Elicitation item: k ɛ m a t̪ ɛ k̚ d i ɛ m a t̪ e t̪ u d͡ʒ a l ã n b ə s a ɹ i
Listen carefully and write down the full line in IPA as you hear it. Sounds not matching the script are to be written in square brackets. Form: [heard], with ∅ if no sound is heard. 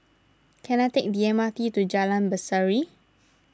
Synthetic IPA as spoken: k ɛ [n] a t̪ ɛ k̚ d i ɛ m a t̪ [i] t̪ u d͡ʒ a l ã n b ə s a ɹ i